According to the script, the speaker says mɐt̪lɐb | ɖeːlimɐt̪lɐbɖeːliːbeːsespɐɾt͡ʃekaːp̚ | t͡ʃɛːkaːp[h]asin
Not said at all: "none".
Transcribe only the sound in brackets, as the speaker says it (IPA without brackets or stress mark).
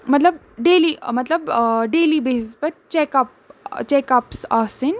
s